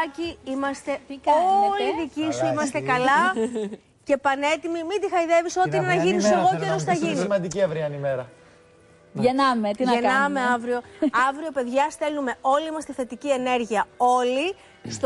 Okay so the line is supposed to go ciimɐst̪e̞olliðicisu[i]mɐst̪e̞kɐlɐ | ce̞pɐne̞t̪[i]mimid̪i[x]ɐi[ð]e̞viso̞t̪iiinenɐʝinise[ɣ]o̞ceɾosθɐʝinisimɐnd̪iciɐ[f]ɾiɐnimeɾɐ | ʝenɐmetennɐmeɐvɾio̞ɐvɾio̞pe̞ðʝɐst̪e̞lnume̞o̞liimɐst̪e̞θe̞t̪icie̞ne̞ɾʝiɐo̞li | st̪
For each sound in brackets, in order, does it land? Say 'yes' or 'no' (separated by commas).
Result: yes, yes, yes, yes, yes, no